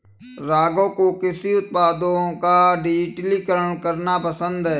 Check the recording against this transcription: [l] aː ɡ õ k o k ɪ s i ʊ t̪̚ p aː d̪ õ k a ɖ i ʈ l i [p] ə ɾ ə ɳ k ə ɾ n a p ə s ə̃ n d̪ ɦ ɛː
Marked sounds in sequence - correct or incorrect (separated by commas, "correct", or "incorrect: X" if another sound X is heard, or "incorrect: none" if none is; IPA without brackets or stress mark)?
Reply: incorrect: ɾ, incorrect: k